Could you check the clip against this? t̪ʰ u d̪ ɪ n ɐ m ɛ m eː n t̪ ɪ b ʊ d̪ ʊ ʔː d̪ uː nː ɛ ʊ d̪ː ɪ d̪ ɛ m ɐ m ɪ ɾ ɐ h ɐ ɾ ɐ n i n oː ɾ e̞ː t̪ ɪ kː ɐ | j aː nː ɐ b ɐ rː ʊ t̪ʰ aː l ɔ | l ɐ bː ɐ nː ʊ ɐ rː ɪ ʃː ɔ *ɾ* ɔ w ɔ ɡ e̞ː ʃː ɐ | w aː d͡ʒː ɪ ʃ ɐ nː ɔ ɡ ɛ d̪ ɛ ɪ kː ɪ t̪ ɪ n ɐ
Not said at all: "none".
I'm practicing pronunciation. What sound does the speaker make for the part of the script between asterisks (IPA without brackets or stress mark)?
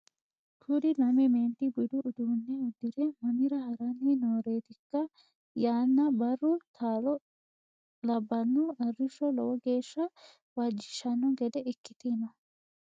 l